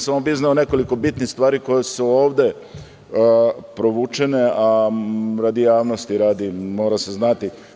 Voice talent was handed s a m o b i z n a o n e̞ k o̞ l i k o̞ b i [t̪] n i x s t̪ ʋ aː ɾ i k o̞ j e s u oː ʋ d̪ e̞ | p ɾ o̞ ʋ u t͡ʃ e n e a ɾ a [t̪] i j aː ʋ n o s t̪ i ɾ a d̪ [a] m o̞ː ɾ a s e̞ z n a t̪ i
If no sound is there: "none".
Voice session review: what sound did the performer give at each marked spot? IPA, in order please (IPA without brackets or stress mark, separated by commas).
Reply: t̪, d̪, i